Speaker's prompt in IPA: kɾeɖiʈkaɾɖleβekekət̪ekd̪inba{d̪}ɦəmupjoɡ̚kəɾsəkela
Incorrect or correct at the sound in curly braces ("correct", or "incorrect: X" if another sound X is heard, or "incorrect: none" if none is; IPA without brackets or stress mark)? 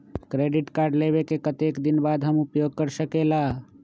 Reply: correct